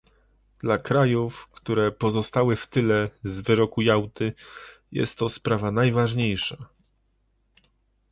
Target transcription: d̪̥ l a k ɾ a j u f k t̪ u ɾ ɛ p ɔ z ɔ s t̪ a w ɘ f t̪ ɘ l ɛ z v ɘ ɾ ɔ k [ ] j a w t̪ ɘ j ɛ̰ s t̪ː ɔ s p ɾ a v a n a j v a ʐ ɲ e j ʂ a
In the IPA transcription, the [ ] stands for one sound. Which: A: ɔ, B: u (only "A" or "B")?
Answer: B